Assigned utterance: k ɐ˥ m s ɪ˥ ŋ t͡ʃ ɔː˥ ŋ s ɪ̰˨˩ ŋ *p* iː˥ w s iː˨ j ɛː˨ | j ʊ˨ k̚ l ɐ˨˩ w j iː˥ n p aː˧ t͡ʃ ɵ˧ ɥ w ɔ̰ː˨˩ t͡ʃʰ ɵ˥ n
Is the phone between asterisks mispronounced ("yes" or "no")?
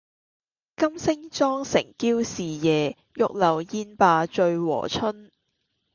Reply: yes